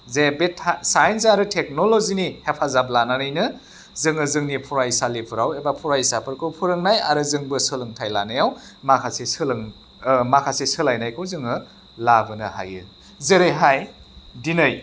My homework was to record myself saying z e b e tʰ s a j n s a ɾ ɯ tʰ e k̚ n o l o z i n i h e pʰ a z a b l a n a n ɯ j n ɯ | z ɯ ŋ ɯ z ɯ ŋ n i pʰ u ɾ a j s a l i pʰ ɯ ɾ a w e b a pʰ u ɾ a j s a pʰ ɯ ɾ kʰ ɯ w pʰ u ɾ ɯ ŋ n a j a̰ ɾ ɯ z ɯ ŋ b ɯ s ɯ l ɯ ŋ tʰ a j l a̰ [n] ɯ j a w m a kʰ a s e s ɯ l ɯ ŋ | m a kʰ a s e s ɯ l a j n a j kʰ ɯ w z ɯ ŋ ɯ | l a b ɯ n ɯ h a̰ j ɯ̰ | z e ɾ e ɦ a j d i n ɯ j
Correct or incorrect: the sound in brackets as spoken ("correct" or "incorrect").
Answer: correct